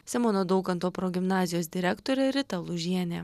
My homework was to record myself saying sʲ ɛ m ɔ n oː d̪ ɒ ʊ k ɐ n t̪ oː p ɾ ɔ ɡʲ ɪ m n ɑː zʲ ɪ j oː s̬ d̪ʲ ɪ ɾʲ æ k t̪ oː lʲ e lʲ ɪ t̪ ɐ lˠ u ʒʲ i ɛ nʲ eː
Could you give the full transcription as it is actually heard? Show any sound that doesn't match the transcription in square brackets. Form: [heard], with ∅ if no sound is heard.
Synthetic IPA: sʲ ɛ m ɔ n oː d̪ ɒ ʊ k ɐ n t̪ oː p ɾ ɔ ɡʲ ɪ m n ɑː zʲ ɪ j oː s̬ d̪ʲ ɪ ɾʲ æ k t̪ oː [ɾʲ] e [ɾʲ] ɪ t̪ ɐ lˠ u ʒʲ i ɛ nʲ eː

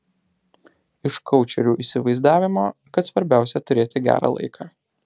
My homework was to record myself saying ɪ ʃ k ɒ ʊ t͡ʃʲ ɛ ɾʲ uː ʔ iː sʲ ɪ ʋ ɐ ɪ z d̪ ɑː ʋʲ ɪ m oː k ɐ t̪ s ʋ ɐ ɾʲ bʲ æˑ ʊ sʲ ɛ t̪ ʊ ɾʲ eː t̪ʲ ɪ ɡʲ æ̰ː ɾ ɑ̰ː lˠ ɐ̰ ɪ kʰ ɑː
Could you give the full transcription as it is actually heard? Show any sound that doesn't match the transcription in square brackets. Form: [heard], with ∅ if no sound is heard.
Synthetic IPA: ɪ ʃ k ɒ ʊ t͡ʃʲ ɛ ɾʲ uː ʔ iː sʲ ɪ ʋ ɐ ɪ z d̪ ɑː ʋʲ ɪ m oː k ɐ t̪ s ʋ ɐ ɾʲ bʲ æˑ ʊ sʲ ɛ t̪ ʊ ɾʲ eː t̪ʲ ɪ ɡʲ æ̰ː ɾ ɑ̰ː lˠ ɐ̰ ɪ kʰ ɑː

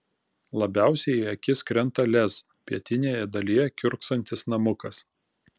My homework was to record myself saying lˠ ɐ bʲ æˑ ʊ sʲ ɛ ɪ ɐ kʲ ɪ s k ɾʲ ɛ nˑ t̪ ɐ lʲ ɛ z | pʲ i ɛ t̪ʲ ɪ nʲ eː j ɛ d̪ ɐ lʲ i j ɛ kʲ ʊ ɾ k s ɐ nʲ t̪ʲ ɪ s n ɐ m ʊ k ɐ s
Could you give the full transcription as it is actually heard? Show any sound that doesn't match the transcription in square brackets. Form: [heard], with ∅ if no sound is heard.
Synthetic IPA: lˠ ɐ bʲ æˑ ʊ sʲ ɛ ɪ ɐ kʲ ɪ s k ɾʲ ɛ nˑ t̪ ɐ lʲ ɛ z | pʲ i ɛ t̪ʲ ɪ nʲ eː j ɛ d̪ ɐ lʲ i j ɛ kʲ ʊ ɾ k s ɐ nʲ t̪ʲ ɪ s n ɐ m ʊ k ɐ s

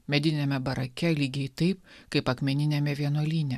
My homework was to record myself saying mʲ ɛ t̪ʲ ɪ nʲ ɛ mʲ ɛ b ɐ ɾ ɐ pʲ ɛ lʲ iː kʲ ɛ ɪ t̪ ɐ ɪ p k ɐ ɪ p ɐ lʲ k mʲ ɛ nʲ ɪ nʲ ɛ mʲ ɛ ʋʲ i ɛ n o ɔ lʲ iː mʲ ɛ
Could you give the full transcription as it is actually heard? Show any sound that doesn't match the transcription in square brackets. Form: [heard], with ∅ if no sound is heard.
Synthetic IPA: mʲ ɛ [d̪ʲ] ɪ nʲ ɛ mʲ ɛ b ɐ ɾ ɐ [kʲ] ɛ lʲ iː [ɡʲ] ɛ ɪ t̪ ɐ ɪ p k ɐ ɪ p ɐ [∅] k mʲ ɛ nʲ ɪ nʲ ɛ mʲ ɛ ʋʲ i ɛ n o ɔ lʲ iː [nʲ] ɛ

